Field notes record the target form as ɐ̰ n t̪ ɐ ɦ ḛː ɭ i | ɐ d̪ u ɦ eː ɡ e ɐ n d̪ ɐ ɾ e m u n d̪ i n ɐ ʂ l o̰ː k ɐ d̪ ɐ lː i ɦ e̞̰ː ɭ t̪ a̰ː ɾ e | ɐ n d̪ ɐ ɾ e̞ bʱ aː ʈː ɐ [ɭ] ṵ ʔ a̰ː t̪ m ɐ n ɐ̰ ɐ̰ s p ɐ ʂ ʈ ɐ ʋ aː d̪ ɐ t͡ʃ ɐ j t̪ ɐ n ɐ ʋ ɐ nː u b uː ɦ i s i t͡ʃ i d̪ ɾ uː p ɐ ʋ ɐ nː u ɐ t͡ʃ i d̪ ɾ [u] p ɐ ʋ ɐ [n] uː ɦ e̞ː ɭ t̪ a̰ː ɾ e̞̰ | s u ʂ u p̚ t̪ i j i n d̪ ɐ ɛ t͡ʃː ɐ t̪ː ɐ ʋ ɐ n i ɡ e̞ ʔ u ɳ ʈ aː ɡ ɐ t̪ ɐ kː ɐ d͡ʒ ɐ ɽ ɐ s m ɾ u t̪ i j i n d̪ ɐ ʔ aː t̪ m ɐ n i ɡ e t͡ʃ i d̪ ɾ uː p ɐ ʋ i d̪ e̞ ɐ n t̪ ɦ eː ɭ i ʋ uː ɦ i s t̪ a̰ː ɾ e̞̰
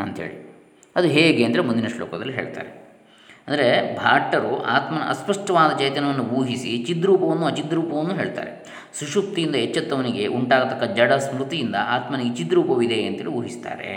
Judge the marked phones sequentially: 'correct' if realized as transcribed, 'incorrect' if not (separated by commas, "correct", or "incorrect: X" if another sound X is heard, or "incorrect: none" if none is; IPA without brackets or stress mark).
incorrect: ɾ, incorrect: uː, incorrect: nː